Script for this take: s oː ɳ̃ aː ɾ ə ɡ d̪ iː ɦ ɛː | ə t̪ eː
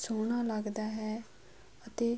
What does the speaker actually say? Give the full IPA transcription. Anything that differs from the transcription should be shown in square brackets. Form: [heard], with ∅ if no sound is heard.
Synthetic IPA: s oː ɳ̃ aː [l] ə ɡ d̪ [aː] ɦ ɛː | ə t̪ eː